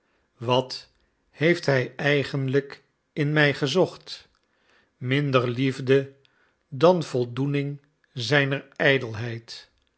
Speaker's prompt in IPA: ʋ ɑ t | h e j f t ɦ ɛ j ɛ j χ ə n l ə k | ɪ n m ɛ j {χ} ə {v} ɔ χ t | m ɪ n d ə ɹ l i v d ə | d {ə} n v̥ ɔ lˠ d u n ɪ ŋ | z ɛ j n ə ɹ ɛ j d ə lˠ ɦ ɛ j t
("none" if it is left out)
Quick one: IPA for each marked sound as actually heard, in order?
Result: χ, z, ɑ

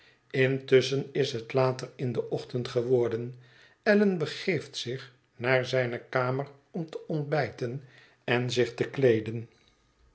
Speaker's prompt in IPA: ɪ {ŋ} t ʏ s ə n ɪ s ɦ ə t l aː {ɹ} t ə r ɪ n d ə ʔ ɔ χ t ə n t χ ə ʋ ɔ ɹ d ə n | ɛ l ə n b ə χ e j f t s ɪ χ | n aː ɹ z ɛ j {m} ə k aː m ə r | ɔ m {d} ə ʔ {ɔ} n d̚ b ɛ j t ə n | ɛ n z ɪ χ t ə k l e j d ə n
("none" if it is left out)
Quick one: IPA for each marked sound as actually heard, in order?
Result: n, none, n, t, ɔ

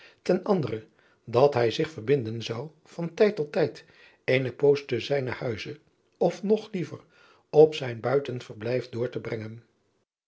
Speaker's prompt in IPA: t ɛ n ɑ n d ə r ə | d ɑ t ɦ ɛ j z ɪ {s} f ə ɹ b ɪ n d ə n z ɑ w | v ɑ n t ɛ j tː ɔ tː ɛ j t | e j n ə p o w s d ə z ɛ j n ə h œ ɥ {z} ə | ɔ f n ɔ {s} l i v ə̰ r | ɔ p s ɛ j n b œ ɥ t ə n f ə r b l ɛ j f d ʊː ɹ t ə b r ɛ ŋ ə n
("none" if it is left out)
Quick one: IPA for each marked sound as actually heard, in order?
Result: χ, z, χ

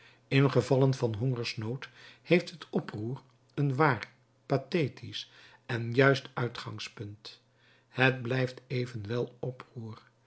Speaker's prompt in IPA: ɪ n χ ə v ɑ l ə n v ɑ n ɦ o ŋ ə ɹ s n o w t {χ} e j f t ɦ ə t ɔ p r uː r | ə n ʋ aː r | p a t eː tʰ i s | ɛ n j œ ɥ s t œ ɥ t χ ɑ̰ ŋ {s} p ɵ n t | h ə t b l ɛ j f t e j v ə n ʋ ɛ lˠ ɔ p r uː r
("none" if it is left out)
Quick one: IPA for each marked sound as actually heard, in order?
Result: h, s

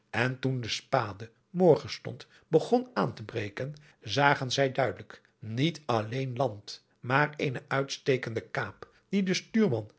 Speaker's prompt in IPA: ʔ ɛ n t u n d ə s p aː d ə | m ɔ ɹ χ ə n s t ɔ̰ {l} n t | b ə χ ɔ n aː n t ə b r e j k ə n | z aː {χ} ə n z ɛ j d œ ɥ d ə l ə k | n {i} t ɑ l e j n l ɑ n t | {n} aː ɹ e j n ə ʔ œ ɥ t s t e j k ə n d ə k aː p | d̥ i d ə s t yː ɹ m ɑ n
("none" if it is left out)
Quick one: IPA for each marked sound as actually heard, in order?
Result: none, χ, i, m

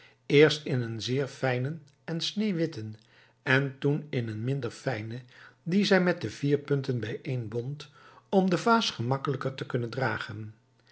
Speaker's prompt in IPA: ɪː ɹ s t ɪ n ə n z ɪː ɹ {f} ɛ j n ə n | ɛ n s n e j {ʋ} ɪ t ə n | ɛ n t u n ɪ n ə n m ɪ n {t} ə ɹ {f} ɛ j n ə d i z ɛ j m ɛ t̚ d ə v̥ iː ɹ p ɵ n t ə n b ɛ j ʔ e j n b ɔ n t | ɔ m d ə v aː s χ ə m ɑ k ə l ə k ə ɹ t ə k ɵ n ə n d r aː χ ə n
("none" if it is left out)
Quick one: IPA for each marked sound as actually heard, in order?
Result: f, ʋ, d, f

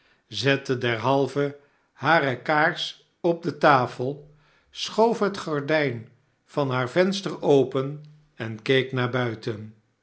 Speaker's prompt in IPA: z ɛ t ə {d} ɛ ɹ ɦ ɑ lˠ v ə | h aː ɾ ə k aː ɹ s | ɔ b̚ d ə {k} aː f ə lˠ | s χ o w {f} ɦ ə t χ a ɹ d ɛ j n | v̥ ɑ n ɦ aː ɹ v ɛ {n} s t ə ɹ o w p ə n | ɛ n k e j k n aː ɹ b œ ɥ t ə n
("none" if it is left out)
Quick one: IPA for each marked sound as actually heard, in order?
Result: d, t, f, n

